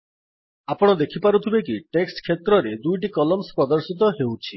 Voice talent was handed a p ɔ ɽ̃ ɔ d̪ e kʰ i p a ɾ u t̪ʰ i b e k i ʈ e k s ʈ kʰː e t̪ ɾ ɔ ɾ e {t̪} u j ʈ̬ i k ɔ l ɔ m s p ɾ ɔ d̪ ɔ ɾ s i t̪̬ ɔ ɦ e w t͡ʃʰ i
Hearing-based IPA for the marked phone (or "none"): d̪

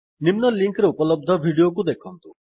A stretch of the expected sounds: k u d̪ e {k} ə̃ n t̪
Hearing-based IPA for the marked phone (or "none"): kʰ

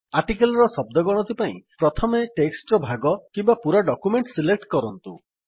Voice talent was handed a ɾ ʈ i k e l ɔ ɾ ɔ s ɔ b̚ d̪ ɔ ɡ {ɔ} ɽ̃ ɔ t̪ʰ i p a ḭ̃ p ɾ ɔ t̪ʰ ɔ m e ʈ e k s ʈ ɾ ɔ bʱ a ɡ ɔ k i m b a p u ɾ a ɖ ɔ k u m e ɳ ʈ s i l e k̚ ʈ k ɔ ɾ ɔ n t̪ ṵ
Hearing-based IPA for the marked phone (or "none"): ɔ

